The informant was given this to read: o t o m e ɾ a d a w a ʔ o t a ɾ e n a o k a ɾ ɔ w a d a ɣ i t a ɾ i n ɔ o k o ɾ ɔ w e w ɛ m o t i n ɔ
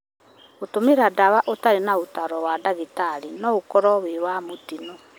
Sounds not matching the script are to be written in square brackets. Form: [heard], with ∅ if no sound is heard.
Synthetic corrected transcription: o t o m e ɾ a d a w a ʔ o t a ɾ e n a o [t] a ɾ ɔ w a d a ɣ i t a ɾ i n ɔ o k [ɔ] ɾ ɔ w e w [a] m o t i n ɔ